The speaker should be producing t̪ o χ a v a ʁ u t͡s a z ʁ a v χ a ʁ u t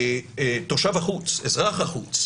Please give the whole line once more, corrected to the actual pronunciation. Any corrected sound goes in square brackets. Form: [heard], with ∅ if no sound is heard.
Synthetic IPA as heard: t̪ o [ʃ] a v a [χ] u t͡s [e] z ʁ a [∅] χ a [χ] u [t͡s]